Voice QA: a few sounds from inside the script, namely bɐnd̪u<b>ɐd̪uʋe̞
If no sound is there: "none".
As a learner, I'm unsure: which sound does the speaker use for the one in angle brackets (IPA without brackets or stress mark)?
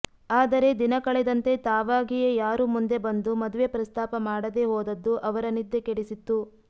m